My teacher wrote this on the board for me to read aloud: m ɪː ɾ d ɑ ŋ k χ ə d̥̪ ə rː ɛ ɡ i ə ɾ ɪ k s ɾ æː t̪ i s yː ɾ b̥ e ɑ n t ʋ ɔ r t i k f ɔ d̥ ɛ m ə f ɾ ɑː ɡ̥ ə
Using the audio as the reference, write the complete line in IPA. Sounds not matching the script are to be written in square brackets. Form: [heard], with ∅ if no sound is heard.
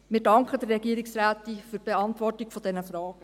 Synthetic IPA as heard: m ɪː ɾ d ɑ ŋ k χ ə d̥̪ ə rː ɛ ɡ i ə ɾ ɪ k s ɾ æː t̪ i [f] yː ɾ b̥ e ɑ n t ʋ ɔ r t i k f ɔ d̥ ɛ [n] ə f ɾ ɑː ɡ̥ ə